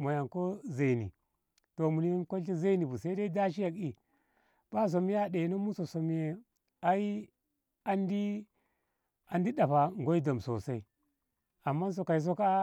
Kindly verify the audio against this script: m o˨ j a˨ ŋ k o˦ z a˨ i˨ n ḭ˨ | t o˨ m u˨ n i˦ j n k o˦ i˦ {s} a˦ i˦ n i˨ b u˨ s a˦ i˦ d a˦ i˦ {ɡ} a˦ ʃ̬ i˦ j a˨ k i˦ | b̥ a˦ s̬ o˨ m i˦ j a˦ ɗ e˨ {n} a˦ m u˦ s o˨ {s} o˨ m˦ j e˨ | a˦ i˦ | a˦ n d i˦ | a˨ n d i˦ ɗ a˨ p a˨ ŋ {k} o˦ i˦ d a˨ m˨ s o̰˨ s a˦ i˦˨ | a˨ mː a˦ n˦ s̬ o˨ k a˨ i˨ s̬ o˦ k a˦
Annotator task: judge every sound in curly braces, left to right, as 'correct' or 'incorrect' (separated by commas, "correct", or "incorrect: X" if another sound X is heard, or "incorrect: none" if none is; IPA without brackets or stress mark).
incorrect: z, incorrect: d, correct, correct, incorrect: ɡ